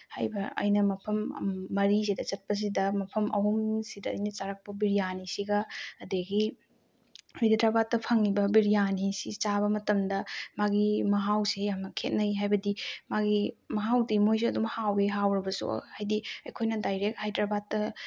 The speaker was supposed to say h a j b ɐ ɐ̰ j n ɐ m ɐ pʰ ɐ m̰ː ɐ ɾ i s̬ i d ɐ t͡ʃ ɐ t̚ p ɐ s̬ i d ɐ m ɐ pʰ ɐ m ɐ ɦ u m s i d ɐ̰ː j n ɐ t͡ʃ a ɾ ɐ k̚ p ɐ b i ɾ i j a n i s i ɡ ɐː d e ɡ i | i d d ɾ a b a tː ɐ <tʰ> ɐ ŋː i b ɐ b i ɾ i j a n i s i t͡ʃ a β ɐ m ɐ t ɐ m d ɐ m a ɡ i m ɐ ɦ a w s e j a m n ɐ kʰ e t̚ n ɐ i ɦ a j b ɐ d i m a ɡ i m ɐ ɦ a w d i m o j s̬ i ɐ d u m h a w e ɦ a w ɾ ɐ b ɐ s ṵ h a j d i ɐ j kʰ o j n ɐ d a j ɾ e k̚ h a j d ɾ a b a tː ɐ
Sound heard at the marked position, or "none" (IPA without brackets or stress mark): pʰ